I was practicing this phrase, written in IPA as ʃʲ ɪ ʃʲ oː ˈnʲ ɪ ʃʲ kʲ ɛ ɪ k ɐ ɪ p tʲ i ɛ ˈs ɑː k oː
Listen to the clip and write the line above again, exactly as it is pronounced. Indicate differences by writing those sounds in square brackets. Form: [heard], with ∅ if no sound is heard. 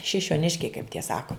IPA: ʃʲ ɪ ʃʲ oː ˈnʲ ɪ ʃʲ kʲ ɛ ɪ k ɐ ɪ p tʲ i ɛ ˈs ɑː k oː

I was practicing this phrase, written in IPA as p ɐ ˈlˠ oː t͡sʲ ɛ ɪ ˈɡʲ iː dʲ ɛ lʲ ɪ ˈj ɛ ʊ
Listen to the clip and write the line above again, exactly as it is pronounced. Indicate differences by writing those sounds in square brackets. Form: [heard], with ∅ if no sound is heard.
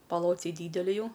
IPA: p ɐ ˈlˠ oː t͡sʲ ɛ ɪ [ˈdʲ] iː dʲ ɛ lʲ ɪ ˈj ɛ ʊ

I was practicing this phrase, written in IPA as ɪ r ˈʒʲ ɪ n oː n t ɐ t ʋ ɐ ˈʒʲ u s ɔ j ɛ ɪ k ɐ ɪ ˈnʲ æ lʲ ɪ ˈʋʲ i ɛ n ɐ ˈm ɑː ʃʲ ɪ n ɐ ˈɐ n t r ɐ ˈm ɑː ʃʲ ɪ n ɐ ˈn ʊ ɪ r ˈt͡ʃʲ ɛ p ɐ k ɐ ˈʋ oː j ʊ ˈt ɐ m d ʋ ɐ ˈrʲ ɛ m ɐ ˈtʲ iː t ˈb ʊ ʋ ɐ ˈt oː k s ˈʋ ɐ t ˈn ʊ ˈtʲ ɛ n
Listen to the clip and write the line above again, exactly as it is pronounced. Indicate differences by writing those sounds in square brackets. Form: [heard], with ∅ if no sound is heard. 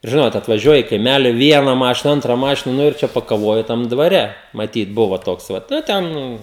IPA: ɪ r ˈʒʲ ɪ n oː [∅] t ɐ t ʋ ɐ ˈʒʲ u [∅] ɔ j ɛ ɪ k ɐ ɪ [ˈmʲ] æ lʲ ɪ ˈʋʲ i ɛ n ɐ ˈm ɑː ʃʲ ɪ n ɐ ˈɐ n t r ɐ ˈm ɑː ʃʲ ɪ n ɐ ˈn ʊ ɪ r ˈt͡ʃʲ ɛ p ɐ k ɐ ˈʋ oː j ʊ ˈt ɐ m d ʋ ɐ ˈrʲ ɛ m ɐ ˈtʲ iː t ˈb ʊ ʋ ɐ ˈt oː k s ˈʋ ɐ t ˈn ʊ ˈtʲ ɛ n

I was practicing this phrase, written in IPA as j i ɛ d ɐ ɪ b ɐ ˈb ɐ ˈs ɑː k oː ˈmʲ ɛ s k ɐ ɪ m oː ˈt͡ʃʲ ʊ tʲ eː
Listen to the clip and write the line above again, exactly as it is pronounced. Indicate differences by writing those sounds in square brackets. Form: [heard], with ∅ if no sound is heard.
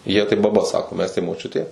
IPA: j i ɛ [t] ɐ ɪ b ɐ ˈb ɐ ˈs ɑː k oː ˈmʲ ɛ s [t] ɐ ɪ m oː ˈt͡ʃʲ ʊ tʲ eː

